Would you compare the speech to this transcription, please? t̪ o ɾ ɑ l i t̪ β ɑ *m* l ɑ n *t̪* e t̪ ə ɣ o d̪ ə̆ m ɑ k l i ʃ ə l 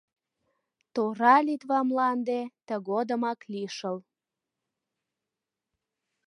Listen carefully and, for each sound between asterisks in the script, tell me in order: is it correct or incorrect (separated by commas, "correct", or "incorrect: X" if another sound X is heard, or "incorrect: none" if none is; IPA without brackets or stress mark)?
correct, incorrect: d̪